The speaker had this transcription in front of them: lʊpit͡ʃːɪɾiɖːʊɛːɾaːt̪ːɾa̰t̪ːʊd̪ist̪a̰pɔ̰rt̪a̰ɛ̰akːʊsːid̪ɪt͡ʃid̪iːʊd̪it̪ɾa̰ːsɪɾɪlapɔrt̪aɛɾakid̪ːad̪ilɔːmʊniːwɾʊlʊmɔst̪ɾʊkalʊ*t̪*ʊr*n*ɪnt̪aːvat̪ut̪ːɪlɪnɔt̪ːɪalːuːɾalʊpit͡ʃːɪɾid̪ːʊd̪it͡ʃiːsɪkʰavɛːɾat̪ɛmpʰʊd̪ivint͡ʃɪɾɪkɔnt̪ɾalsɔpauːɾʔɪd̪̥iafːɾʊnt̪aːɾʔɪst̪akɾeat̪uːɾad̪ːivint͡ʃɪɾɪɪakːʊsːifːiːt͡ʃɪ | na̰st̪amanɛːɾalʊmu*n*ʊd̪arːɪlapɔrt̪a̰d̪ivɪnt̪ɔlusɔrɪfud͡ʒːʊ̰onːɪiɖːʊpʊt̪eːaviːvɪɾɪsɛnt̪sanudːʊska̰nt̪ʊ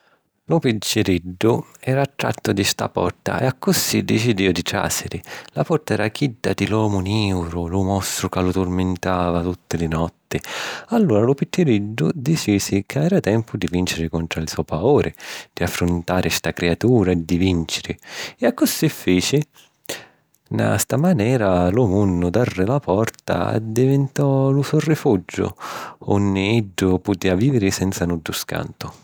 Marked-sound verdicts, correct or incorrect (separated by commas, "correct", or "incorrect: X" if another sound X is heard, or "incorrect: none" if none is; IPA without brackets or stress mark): correct, incorrect: m, incorrect: nː